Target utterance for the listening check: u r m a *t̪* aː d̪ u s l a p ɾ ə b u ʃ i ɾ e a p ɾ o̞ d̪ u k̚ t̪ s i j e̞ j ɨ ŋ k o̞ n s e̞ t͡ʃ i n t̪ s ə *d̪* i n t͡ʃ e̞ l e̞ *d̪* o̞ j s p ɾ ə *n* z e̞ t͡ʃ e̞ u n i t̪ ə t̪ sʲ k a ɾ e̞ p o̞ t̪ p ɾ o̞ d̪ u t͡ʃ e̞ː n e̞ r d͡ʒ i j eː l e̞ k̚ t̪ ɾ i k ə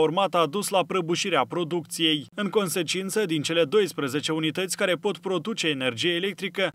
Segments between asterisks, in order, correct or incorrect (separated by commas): correct, correct, correct, incorrect